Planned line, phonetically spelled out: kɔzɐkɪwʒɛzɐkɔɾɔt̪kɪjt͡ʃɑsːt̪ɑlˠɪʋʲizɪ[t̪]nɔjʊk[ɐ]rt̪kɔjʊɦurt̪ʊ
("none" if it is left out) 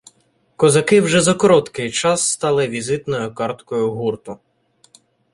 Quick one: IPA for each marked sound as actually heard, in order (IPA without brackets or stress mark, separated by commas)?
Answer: t̪, ɑ